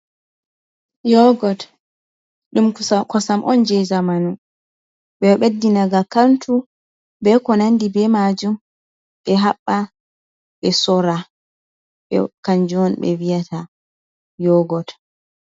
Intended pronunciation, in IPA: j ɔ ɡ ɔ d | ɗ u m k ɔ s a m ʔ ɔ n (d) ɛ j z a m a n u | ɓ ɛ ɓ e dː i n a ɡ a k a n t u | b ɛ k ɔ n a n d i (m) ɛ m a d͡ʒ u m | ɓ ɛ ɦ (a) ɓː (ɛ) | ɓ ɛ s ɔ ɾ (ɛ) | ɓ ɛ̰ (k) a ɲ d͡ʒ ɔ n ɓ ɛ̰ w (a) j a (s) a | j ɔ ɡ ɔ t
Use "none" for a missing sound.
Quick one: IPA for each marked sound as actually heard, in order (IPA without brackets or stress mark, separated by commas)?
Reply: d͡ʒ, b, a, a, a, k, i, t